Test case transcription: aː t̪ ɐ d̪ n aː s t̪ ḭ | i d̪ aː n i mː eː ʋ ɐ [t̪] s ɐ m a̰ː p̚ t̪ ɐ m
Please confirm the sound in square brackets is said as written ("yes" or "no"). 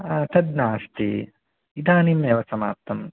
no